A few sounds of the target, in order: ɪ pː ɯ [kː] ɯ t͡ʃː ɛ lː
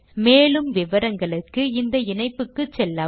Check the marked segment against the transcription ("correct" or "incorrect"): correct